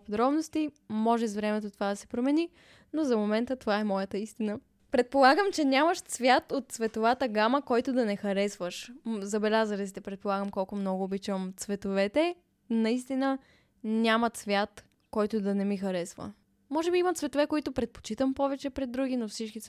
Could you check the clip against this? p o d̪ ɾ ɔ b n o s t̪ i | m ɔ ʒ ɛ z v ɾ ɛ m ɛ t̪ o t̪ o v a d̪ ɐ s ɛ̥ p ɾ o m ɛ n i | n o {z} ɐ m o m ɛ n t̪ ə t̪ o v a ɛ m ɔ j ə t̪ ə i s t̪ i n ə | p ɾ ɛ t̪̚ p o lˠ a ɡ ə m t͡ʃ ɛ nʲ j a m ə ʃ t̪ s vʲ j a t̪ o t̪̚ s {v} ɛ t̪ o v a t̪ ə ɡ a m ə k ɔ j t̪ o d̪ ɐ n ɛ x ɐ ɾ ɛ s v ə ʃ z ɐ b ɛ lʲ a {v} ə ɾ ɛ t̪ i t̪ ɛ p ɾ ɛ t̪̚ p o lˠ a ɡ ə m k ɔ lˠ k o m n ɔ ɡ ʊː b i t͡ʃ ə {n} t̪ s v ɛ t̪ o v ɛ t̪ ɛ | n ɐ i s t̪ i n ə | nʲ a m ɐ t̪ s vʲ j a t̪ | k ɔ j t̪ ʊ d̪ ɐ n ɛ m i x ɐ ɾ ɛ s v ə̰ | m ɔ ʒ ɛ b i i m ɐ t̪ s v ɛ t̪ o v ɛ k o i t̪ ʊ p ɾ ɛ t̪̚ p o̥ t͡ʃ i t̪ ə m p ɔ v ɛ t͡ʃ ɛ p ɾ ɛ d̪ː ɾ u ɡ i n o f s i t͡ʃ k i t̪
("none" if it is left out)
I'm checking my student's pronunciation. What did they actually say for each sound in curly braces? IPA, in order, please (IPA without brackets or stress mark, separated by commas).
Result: z, v, z, m